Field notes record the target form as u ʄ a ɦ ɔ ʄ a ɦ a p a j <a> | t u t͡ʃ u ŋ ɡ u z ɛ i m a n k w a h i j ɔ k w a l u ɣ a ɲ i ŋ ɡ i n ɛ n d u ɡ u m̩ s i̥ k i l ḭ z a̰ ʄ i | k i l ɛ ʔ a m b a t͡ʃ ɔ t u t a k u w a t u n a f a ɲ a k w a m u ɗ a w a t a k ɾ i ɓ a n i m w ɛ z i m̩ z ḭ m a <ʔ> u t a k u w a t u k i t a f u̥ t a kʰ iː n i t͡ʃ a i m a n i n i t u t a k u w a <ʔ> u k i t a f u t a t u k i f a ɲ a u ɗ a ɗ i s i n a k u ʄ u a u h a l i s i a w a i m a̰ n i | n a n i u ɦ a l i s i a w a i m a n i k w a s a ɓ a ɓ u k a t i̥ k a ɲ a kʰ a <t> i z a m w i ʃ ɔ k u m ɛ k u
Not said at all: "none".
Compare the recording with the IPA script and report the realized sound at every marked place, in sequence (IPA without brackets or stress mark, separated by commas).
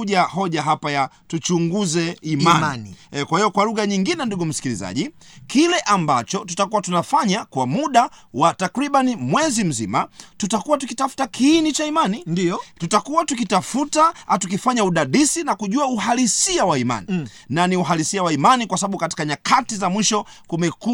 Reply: a, t, t, t